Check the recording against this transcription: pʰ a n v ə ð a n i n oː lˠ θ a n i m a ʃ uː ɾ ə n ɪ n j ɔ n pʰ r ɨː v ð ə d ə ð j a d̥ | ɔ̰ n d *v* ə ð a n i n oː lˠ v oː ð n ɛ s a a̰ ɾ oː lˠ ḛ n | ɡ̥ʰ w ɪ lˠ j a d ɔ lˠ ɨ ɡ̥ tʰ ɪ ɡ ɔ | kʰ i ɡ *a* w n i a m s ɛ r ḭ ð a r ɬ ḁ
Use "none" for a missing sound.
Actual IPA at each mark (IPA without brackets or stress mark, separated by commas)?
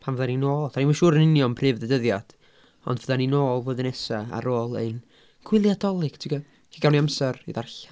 v, a